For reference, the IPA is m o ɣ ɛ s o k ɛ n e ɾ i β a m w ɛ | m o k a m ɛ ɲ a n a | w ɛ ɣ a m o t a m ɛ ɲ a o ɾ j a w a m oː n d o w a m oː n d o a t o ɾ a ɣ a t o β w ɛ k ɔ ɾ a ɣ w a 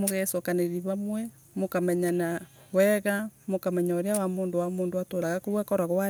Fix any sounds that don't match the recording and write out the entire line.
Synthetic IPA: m o ɣ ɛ s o k a n e ɾ i β a m w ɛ | m o k a m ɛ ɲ a n a | w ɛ ɣ a m o k a m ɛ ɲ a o ɾ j a w a m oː n d o w a m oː n d o a t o ɾ a ɣ a k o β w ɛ k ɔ ɾ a ɣ w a